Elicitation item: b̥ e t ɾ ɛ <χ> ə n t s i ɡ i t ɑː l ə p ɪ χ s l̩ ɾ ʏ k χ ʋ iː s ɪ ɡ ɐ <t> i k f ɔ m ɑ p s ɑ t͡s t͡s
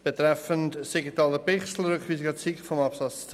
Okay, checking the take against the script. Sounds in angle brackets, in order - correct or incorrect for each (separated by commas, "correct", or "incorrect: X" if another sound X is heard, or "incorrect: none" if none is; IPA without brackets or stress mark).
incorrect: f, incorrect: t͡s